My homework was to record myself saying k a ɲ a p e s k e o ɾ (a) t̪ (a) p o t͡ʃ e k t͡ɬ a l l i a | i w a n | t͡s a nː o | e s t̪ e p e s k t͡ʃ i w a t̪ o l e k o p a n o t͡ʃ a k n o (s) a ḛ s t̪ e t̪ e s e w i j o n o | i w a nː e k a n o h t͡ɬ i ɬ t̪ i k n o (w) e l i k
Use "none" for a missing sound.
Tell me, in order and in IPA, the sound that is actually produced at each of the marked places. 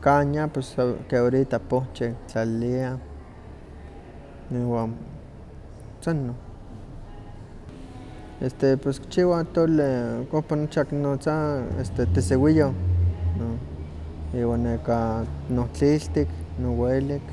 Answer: i, a, t͡s, w

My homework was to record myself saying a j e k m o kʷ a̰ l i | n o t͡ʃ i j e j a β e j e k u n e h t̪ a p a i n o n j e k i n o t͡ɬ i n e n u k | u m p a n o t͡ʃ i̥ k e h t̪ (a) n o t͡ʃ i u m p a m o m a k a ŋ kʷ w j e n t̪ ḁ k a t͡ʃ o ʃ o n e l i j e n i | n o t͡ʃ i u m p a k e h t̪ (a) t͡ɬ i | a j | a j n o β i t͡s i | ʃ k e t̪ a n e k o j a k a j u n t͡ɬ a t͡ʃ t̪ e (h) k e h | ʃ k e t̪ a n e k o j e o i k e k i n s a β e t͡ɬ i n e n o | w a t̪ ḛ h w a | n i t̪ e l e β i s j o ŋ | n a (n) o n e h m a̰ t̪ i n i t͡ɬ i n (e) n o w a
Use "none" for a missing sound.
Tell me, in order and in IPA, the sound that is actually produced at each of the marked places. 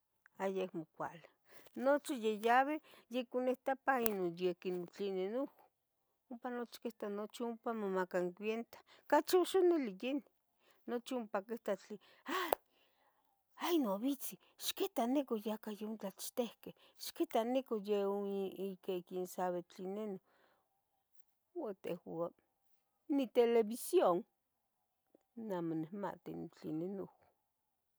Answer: a, a, h, m, e

